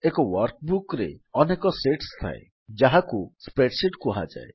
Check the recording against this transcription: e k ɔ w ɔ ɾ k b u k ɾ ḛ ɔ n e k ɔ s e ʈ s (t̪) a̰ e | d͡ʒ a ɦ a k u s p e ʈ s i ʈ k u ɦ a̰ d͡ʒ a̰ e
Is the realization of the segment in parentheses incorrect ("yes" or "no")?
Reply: yes